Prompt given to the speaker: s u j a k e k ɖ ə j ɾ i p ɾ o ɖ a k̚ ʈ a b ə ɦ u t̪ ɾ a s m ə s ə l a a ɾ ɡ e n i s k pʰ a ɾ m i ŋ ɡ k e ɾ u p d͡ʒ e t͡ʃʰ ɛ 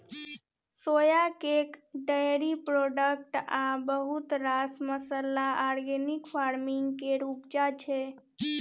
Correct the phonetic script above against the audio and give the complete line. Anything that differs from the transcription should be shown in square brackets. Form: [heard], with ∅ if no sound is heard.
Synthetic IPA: s [o] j a k e k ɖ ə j ɾ i p ɾ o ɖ [ə] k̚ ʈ a b ə ɦ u t̪ ɾ a s m ə s ə l a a ɾ ɡ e n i [∅] k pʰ a ɾ m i ŋ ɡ k e ɾ u p d͡ʒ [a] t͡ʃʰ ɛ